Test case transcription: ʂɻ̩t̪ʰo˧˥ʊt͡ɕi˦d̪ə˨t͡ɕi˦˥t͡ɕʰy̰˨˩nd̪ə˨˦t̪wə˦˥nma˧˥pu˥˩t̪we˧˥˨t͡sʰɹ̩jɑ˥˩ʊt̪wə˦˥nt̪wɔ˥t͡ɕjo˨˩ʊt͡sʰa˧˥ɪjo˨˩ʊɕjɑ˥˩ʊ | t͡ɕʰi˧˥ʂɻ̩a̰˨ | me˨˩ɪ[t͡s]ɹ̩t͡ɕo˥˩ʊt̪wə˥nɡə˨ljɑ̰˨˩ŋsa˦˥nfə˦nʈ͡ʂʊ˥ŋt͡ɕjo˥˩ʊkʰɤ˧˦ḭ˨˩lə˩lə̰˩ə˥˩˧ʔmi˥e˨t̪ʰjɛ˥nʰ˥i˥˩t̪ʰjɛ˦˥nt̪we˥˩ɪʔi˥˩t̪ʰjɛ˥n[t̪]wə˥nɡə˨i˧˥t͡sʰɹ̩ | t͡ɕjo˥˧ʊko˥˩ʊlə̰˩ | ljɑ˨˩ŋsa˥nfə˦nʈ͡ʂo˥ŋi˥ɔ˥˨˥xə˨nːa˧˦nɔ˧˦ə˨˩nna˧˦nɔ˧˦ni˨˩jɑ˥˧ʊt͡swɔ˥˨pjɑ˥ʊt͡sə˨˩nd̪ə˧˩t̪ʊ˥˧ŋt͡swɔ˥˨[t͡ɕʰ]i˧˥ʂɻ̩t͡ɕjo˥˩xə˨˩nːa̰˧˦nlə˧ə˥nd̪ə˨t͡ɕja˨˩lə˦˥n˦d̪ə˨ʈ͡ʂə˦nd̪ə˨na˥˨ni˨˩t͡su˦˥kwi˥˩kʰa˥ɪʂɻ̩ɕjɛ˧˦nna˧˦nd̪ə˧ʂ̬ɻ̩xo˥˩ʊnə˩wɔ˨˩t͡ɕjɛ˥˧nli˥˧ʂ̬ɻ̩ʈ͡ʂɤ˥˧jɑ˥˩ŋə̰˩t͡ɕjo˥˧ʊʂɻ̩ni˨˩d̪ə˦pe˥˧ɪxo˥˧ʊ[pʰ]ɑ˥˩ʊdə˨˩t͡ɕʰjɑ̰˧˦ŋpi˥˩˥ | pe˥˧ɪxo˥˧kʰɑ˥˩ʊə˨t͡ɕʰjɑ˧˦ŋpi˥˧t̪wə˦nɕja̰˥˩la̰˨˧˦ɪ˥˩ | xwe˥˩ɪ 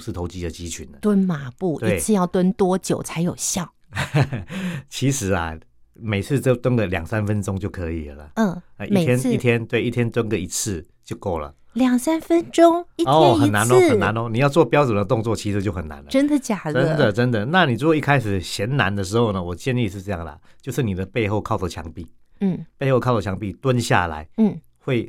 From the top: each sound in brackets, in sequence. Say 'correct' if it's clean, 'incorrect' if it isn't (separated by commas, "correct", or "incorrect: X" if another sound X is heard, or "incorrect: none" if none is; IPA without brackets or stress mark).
incorrect: t͡sʰ, correct, correct, incorrect: kʰ